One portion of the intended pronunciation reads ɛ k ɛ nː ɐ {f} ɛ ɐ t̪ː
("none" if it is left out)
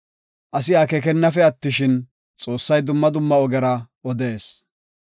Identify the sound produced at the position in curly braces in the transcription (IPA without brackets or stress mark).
f